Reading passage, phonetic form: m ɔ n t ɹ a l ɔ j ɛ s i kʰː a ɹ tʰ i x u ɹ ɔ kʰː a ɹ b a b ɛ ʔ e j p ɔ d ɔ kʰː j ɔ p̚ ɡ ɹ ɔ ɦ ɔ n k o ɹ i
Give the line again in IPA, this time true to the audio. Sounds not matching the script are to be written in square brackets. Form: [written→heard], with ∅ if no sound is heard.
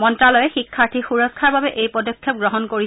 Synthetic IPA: m ɔ n t ɹ a l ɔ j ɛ [s→x] i kʰː a ɹ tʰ i x u ɹ ɔ kʰː a ɹ b a b ɛ ʔ e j p ɔ d ɔ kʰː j ɔ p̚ ɡ ɹ ɔ ɦ ɔ n k o ɹ i